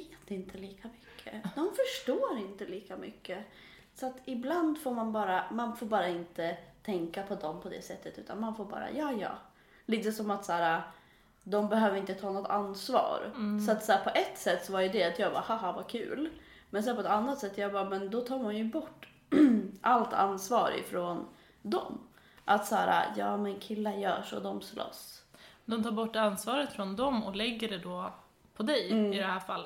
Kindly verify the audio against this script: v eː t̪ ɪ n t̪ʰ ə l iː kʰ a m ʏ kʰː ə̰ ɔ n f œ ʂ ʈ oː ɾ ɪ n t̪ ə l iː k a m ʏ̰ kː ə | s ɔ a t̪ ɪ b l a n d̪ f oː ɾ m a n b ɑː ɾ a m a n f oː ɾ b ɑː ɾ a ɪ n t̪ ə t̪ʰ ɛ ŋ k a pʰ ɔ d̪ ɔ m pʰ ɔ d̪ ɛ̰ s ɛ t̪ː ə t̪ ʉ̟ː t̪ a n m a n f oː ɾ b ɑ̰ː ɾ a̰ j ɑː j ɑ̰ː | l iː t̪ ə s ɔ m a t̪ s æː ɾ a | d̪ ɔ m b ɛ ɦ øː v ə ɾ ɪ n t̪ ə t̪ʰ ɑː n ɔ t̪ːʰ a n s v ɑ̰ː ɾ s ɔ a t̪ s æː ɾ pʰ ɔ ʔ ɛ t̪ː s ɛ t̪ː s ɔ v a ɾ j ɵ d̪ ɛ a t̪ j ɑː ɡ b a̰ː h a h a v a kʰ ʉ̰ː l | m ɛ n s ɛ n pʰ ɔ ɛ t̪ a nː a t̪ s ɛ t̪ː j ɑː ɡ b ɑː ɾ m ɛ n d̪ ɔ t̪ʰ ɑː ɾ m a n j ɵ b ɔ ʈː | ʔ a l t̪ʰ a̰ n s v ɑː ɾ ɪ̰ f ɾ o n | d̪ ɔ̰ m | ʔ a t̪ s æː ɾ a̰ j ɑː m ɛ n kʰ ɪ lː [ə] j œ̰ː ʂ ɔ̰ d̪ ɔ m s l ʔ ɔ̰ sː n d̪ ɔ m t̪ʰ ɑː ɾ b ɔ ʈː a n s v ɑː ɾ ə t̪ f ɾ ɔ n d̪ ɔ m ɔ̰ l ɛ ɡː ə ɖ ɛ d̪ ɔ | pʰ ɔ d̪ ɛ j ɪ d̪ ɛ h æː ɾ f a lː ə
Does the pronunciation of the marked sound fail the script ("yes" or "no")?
yes